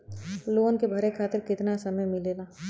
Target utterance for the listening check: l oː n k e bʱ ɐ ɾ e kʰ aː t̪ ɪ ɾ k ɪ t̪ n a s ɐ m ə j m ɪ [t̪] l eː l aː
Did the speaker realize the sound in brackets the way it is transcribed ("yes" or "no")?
no